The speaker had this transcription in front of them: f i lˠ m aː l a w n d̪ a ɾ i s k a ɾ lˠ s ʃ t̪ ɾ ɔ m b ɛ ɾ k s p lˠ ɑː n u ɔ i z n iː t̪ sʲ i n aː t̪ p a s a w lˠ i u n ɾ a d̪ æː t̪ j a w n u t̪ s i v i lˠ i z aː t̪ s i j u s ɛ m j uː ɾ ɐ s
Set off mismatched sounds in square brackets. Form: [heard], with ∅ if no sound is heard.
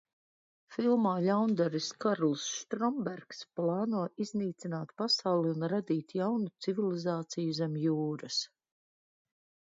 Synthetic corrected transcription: f i lˠ m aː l a w n d̪ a ɾ i s k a ɾ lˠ s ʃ t̪ ɾ ɔ m b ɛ ɾ k s p lˠ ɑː n u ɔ i z n iː t̪ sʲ i n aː t̪ p a s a w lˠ i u n ɾ a d̪ [iː] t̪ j a w n u t̪ s i v i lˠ i z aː t̪ s i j u [z] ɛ m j uː ɾ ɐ s